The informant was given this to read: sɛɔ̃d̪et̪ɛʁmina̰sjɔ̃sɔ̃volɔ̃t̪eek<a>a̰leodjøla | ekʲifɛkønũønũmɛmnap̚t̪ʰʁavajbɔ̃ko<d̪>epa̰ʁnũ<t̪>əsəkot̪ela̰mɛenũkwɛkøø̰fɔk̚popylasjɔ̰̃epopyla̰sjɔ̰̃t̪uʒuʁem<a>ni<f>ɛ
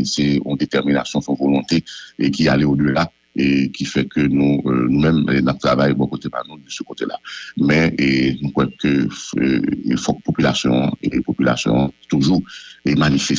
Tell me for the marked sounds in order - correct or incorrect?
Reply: incorrect, incorrect, incorrect, correct, correct

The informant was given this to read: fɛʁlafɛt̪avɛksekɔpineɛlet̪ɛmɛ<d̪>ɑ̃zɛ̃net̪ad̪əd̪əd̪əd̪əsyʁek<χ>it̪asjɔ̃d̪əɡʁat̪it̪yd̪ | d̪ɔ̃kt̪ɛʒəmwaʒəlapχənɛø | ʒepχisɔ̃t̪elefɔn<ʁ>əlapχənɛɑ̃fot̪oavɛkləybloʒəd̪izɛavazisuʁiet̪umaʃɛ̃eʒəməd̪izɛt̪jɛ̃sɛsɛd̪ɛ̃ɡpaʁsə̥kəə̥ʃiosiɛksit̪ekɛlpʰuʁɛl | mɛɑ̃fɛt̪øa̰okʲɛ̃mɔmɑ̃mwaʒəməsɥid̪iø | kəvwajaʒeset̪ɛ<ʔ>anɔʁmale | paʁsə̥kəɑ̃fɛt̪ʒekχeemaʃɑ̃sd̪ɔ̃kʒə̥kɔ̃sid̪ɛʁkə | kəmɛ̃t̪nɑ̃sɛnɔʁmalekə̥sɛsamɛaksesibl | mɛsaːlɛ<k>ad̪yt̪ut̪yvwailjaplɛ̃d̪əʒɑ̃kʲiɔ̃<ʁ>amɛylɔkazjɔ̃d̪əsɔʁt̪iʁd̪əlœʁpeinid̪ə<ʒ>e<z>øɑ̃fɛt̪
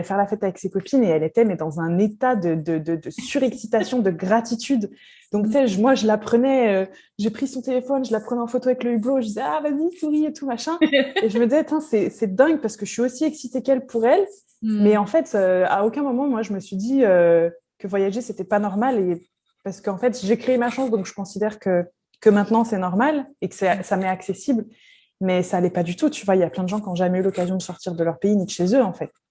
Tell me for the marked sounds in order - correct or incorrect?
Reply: correct, incorrect, incorrect, incorrect, incorrect, incorrect, incorrect, correct

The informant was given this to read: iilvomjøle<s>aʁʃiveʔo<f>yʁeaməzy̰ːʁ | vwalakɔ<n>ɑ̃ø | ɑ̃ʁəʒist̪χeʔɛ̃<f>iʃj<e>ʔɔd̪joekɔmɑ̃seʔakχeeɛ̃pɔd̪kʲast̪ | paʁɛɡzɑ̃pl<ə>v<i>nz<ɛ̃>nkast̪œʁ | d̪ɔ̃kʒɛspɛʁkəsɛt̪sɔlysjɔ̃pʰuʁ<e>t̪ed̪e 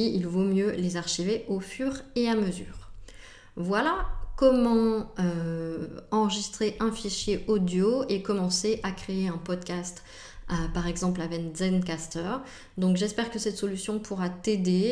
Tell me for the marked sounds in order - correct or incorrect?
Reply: incorrect, correct, incorrect, correct, correct, incorrect, incorrect, incorrect, incorrect

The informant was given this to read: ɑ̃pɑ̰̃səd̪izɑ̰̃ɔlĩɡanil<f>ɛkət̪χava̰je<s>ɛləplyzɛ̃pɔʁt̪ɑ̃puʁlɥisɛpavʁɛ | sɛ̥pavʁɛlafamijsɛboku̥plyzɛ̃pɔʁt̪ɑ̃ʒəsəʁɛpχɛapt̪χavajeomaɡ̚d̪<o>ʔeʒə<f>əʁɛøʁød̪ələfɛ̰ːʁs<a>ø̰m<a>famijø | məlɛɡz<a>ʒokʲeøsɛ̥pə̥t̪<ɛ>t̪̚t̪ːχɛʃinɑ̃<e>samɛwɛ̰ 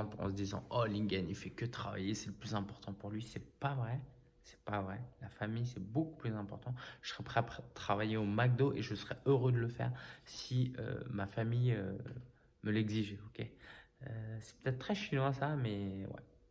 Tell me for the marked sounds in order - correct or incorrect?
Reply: correct, correct, correct, incorrect, incorrect, correct, incorrect, correct, incorrect

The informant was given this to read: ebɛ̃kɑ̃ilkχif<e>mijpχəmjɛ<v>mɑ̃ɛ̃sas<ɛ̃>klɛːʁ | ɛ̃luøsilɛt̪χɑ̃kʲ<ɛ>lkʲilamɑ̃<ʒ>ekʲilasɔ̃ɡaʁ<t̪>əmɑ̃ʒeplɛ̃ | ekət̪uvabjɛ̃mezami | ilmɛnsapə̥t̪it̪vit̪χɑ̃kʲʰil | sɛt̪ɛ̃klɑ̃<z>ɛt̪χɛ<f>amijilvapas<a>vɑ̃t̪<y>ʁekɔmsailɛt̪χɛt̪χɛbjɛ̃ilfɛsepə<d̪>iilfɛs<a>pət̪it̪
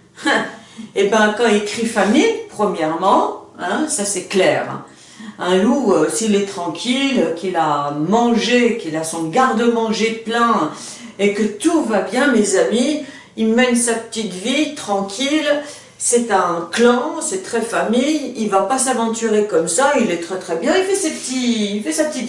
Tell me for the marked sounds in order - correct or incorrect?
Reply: incorrect, incorrect, incorrect, incorrect, correct, incorrect, incorrect, correct, correct, correct, incorrect, correct

